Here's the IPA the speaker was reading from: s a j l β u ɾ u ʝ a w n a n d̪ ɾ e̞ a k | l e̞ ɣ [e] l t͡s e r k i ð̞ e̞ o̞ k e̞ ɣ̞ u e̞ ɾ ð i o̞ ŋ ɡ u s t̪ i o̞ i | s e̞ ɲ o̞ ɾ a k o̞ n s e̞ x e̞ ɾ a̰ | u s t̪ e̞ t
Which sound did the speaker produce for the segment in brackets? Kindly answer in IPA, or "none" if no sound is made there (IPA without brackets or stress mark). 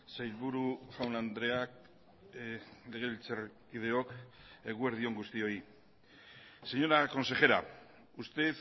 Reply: e